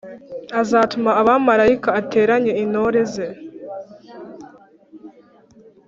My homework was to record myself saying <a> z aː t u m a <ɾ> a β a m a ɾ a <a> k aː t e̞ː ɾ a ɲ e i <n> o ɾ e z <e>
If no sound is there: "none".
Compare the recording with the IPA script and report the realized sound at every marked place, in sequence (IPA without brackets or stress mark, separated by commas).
a, none, i, n, e